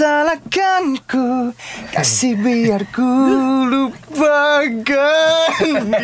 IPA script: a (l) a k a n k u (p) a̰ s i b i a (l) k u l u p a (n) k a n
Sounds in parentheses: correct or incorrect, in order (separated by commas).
correct, incorrect, incorrect, incorrect